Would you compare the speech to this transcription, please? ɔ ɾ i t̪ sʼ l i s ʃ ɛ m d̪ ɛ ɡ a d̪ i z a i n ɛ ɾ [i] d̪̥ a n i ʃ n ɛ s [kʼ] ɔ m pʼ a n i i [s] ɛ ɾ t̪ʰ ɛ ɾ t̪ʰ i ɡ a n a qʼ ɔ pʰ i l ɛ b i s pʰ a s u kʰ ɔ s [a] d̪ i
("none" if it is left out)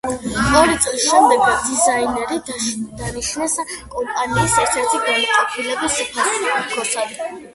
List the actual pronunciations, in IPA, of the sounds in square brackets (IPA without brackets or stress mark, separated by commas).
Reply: i, kʼ, s, a